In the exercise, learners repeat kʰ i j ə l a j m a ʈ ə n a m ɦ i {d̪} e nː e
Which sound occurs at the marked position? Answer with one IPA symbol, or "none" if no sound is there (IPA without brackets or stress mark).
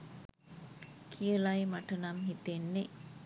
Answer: t̪